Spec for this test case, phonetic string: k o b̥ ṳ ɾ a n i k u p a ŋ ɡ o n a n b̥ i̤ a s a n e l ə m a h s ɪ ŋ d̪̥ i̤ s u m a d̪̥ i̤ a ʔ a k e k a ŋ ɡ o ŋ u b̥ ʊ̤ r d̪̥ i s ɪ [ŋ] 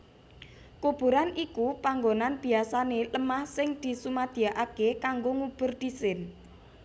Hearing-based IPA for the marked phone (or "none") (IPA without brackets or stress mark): n